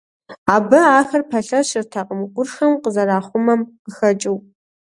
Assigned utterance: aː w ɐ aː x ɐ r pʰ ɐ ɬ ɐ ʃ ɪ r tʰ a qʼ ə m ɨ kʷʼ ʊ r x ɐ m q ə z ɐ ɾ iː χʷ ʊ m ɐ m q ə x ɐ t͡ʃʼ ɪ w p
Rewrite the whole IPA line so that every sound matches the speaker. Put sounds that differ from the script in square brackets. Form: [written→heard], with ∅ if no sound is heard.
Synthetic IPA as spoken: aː [w→b] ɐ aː x ɐ r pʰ ɐ ɬ ɐ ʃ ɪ r tʰ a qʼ ə m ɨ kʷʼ ʊ r x ɐ m q ə z ɐ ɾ [iː→aː] χʷ ʊ m ɐ m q ə x ɐ t͡ʃʼ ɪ w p

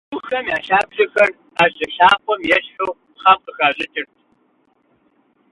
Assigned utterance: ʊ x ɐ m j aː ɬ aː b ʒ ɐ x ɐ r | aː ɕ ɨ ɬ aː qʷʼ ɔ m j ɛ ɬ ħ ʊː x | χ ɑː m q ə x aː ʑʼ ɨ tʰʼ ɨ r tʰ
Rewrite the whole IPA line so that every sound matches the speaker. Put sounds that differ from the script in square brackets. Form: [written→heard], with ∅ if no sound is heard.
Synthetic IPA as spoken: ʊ x ɐ m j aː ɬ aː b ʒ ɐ x ɐ r | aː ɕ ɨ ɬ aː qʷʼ ɔ m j ɛ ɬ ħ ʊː [x→∅] | χ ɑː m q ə x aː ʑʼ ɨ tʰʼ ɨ r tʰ

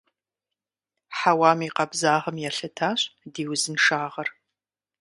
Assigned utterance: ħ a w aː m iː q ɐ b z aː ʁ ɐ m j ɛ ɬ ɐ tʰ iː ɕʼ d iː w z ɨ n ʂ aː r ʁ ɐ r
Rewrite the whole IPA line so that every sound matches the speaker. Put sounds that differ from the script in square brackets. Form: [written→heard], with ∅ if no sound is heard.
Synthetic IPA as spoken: ħ a w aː m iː q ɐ b z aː ʁ ɐ m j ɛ ɬ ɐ tʰ [iː→aː] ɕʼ d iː w z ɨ n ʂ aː [r→∅] ʁ ɐ r

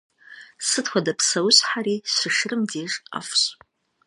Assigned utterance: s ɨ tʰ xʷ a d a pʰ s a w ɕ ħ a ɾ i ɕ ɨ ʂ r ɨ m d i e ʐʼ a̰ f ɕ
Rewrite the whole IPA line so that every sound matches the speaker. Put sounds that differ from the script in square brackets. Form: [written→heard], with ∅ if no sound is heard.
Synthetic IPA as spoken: s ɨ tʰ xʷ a d a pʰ s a w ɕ ħ a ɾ i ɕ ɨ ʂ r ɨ m d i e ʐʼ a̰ f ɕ

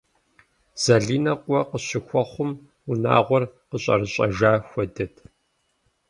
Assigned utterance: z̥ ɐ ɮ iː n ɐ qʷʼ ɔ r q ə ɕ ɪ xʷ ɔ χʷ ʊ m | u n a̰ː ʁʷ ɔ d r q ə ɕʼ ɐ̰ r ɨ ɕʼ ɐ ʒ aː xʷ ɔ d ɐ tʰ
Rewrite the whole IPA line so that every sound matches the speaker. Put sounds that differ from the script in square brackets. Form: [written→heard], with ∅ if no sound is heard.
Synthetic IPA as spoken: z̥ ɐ ɮ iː n ɐ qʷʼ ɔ [r→∅] q ə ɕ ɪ xʷ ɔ χʷ ʊ m | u n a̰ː ʁʷ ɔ [d→∅] r q ə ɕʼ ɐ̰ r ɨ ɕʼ ɐ ʒ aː xʷ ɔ d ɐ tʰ

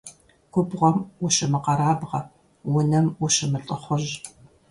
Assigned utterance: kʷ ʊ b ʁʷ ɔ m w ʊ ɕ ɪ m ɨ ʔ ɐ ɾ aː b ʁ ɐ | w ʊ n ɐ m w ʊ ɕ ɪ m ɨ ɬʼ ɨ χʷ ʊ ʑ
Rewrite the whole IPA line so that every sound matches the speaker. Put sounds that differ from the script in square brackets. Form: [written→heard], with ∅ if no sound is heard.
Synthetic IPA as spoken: kʷ ʊ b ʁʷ ɔ m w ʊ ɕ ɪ m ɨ [ʔ→q] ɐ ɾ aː b ʁ ɐ | w ʊ n ɐ m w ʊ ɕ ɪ m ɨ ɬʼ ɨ χʷ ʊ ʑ

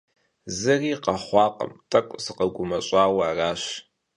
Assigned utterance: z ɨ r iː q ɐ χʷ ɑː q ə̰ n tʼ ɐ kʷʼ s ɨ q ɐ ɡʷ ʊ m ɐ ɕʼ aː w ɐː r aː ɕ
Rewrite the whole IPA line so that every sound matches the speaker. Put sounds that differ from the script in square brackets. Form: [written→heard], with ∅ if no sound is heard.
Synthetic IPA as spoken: z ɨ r iː q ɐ χʷ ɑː q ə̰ [n→m] tʼ ɐ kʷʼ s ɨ q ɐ ɡʷ ʊ m ɐ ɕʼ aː w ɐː r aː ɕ

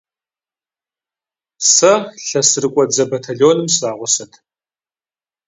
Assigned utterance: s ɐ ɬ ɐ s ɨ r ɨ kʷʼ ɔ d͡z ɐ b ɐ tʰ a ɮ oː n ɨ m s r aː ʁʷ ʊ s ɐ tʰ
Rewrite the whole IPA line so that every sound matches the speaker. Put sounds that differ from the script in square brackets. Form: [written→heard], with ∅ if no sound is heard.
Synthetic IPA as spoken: s ɐ ɬ ɐ s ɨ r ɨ kʷʼ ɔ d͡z ɐ b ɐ tʰ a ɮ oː n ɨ m s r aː ʁʷ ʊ s ɐ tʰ

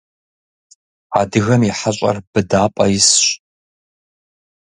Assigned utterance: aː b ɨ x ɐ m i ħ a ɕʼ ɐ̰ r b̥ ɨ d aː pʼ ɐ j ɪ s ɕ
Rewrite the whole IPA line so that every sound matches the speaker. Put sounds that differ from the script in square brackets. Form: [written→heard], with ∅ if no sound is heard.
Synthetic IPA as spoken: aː [b→d] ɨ [x→ɣ] ɐ m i ħ a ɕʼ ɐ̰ r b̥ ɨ d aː pʼ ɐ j ɪ s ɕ

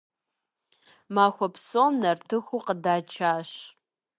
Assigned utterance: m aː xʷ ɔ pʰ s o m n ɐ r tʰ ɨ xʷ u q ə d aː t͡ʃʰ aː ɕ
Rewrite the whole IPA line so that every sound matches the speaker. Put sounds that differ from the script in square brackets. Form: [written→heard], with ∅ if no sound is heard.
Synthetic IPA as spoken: m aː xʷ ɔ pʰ s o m n ɐ r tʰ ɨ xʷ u q ə d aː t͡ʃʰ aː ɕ

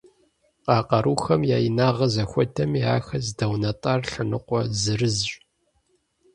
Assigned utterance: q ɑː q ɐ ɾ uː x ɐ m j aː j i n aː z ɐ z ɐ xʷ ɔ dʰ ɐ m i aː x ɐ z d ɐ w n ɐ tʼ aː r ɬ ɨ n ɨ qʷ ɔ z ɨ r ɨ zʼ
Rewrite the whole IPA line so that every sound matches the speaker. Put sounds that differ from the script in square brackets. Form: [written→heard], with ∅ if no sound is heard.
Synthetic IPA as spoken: q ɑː q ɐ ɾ uː x ɐ m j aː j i n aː [z→ʁ] ɐ z ɐ xʷ ɔ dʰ ɐ m i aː x ɐ z d ɐ w n ɐ tʼ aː r ɬ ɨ n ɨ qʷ ɔ z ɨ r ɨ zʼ

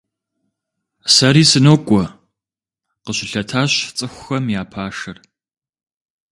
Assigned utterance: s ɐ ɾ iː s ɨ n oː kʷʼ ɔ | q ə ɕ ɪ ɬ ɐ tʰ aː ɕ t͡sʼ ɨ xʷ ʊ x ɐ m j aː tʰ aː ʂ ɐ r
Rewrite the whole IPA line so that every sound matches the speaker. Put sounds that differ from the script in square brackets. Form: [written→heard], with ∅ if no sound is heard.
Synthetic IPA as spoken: s ɐ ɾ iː s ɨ n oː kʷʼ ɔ | q ə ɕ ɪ ɬ ɐ tʰ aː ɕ t͡sʼ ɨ xʷ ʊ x ɐ m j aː [tʰ→pʰ] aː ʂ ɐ r

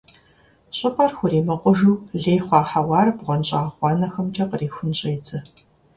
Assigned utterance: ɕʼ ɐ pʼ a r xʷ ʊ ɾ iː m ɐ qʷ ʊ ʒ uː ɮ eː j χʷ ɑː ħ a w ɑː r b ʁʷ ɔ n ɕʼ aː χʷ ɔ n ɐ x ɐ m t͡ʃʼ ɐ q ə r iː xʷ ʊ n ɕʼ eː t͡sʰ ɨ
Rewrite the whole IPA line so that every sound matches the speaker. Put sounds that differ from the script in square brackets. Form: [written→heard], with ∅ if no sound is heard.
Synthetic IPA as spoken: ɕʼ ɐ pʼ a r xʷ ʊ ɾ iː m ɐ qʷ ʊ ʒ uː ɮ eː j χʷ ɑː ħ a w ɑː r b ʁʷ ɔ n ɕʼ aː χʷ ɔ n ɐ x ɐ m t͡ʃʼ ɐ q ə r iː xʷ ʊ n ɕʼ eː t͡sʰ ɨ

